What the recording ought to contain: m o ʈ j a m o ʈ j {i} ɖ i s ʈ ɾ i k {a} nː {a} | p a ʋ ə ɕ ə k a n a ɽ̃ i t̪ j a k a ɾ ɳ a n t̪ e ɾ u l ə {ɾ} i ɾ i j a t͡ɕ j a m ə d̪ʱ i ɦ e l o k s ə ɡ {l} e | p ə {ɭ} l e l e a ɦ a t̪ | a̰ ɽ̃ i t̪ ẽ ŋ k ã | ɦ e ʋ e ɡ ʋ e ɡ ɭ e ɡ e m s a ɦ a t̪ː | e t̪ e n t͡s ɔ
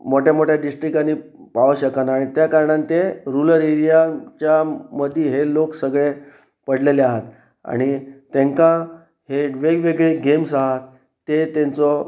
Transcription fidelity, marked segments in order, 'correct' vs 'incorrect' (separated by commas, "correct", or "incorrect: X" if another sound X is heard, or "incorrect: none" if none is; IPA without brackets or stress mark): incorrect: a, correct, incorrect: i, correct, incorrect: ɭ, incorrect: ɽ